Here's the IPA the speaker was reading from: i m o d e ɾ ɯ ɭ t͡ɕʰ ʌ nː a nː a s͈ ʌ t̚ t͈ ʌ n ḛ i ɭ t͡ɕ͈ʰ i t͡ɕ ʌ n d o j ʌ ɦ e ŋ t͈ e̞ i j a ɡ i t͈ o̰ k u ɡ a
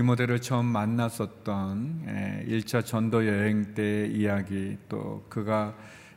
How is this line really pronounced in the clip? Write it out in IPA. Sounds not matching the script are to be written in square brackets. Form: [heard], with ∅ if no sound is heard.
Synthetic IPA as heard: i m o d e ɾ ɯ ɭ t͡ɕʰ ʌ [mː] a nː a s͈ ʌ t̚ t͈ ʌ n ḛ i ɭ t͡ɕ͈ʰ [a] t͡ɕ ʌ n d o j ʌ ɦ e ŋ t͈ e̞ i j a ɡ i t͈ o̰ k [ɯ] ɡ a